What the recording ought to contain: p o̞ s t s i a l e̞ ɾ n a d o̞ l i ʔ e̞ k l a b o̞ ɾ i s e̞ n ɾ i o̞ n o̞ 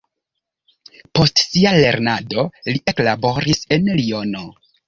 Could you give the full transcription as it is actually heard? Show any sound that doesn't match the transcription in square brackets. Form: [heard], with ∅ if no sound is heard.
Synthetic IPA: p o̞ s t s i a l e̞ ɾ n a d o̞ l i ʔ e̞ k l a b o̞ ɾ i s e̞ n [l] i o̞ n o̞